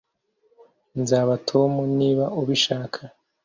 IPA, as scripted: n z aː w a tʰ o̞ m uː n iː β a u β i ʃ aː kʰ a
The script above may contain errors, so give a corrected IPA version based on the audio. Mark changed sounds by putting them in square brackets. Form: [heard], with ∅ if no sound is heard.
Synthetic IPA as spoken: n z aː [β] a tʰ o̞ m [u] n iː β a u β i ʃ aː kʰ a